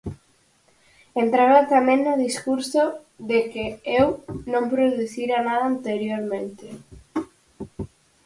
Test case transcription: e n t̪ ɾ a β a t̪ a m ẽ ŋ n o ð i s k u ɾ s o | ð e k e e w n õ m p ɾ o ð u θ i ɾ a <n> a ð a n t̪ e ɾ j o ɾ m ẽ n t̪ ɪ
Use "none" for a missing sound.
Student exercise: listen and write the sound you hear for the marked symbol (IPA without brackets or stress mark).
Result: n